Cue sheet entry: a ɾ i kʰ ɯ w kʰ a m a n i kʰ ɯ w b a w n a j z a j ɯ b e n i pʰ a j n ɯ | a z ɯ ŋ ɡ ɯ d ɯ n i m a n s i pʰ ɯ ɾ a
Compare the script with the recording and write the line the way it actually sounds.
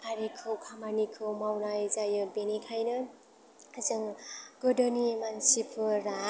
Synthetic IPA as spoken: a ɾ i kʰ ɯ w kʰ a m a n i kʰ ɯ w m a w n a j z a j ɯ b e n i kʰ a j n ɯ | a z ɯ ŋ ɡ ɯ d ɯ n i m a n s i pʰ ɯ ɾ a